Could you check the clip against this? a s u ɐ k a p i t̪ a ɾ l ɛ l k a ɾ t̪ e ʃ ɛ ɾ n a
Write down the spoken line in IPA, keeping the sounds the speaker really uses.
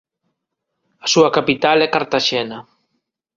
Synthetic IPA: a s u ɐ k a p i t̪ a l ɛ k a ɾ t̪ a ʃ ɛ n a